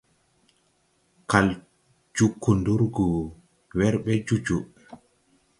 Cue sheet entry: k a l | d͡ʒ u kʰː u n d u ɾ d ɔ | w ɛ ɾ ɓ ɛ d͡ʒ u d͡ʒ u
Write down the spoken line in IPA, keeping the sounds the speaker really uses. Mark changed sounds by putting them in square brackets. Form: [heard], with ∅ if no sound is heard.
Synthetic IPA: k a l | d͡ʒ u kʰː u n d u ɾ [ɡ] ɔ | w ɛ ɾ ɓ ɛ d͡ʒ u d͡ʒ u